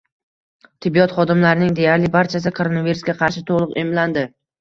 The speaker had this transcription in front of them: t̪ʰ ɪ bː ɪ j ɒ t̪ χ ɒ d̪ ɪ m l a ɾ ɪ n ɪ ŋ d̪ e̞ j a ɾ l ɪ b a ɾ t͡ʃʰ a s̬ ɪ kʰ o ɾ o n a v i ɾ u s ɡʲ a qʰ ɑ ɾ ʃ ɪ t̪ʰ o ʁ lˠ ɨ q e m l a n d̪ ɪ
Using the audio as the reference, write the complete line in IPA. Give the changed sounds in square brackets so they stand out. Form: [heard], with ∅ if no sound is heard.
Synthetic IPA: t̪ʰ ɪ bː [i] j ɒ t̪ χ ɒ d̪ ɪ m l a ɾ ɪ n ɪ ŋ d̪ e̞ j a ɾ l ɪ b a ɾ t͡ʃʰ a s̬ ɪ kʰ o ɾ o n a v i ɾ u s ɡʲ a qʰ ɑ ɾ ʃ ɪ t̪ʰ o ʁ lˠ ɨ q e m l a n d̪ ɪ